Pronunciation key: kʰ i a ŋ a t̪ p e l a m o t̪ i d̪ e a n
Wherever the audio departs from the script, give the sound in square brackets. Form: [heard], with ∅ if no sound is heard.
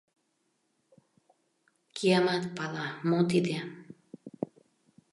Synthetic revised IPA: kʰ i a [m] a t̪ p [a] l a m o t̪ i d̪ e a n